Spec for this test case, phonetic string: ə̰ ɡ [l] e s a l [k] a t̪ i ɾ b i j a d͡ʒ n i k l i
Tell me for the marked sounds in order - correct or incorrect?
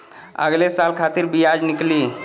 correct, incorrect

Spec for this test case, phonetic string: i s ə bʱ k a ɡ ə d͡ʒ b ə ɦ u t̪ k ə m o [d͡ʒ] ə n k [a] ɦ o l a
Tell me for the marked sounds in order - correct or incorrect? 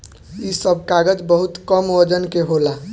correct, incorrect

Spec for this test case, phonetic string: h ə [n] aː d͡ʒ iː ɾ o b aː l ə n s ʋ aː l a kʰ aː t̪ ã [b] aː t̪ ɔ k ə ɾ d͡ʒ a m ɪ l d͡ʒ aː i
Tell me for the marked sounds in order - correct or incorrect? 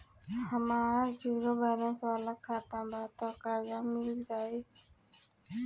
incorrect, correct

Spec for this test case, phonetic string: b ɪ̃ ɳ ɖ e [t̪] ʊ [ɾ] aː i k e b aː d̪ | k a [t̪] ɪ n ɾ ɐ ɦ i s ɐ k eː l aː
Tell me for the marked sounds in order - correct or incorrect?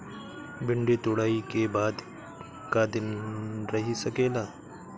correct, incorrect, incorrect

